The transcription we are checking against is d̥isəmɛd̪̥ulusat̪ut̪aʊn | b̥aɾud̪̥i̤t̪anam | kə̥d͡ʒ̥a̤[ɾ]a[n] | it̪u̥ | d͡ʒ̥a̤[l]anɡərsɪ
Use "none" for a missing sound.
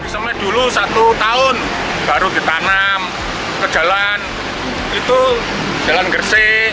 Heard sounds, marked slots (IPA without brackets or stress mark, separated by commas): l, n, l